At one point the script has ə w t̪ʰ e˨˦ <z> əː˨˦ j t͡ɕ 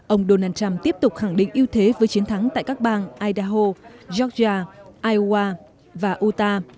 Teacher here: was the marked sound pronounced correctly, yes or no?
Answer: no